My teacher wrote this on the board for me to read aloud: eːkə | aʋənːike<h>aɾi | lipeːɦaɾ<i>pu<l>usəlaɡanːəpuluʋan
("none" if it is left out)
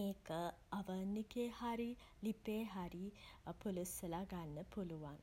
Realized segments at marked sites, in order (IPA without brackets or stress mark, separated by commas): h, i, l